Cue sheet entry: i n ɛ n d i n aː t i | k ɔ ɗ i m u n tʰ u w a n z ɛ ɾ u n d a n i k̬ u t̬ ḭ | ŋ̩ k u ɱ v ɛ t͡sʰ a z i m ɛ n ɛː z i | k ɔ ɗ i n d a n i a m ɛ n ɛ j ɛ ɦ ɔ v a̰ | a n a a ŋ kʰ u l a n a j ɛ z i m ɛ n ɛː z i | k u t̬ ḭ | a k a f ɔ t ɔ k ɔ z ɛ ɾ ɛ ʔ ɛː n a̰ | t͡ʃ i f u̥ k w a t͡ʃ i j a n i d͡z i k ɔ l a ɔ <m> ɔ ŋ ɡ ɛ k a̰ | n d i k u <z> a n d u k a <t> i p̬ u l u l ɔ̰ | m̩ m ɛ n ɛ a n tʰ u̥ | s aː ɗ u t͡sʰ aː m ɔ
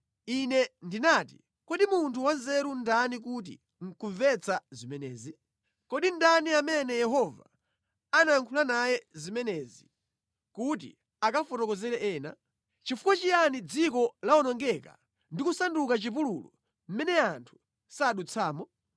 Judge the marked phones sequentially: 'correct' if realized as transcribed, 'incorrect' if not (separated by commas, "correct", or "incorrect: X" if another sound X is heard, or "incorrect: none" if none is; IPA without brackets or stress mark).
incorrect: n, incorrect: s, incorrect: t͡ʃ